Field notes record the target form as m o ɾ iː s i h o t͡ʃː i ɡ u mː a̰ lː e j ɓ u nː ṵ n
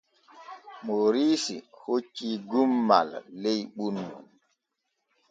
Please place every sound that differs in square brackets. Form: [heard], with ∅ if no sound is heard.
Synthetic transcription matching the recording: m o ɾ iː s i h o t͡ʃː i ɡ u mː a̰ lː e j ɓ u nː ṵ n